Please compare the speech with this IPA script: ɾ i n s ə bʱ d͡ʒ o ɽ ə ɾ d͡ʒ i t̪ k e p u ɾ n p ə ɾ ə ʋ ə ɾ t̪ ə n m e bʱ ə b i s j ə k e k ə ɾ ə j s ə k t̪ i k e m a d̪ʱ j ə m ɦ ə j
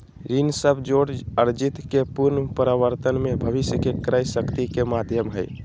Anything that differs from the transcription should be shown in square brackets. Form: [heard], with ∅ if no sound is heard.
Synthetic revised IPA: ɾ i n s ə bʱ d͡ʒ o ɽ ə ɾ d͡ʒ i t̪ k e p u ɾ n p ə ɾ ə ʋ ə ɾ t̪ ə n m e bʱ ə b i s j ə k e k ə ɾ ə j s ə k t̪ i k e m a d̪ʱ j ə m ɦ ə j